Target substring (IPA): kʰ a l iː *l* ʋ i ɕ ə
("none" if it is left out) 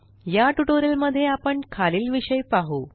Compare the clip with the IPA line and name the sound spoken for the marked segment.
l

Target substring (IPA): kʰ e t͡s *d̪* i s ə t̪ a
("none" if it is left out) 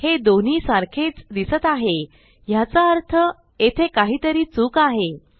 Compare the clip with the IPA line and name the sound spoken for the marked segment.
d̪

